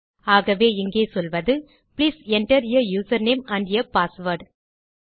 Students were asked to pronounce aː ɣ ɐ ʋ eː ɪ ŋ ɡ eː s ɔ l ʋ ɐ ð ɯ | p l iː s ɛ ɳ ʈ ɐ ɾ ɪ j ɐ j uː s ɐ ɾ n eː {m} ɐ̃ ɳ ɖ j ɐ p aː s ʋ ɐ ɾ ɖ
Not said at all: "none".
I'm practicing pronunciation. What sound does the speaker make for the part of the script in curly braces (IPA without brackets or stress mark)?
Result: m